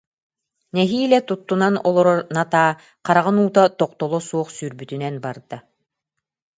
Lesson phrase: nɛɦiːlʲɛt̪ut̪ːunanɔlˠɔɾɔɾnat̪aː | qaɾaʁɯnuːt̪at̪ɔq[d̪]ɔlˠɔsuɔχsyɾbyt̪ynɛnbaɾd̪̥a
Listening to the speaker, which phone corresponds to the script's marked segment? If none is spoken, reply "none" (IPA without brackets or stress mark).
t̪